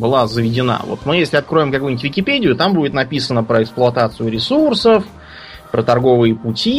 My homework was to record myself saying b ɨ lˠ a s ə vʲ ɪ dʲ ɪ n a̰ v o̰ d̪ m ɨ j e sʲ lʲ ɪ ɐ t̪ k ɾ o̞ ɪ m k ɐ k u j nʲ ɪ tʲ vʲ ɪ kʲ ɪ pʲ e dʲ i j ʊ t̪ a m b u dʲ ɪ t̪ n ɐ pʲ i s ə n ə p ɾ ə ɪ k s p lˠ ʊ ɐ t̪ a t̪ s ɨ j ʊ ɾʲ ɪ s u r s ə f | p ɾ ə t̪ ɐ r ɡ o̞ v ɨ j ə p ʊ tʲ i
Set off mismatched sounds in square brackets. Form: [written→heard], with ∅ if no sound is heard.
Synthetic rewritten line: b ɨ lˠ a [s→z] ə vʲ ɪ dʲ ɪ n a̰ v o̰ [d̪→t̪] m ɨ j e sʲ lʲ ɪ ɐ t̪ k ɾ o̞ ɪ m k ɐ k u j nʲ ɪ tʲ vʲ ɪ kʲ ɪ pʲ e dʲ [i→ɪ] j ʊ t̪ a m b u dʲ ɪ t̪ n ɐ pʲ i s ə n ə p ɾ ə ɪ k s p lˠ ʊ ɐ t̪ a t̪ s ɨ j ʊ ɾʲ ɪ s u r s ə f | p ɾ ə t̪ ɐ r ɡ o̞ v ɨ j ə p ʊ tʲ i